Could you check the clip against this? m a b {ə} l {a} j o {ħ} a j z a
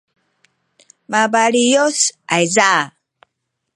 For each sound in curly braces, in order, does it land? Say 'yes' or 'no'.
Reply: no, no, no

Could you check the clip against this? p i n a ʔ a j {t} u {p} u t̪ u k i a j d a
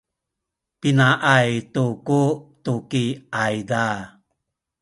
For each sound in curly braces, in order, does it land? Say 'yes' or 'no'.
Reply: yes, no

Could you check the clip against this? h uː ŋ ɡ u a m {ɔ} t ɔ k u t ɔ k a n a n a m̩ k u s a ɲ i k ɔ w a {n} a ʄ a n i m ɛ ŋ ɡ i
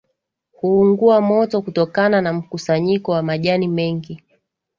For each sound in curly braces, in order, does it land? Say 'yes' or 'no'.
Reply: yes, no

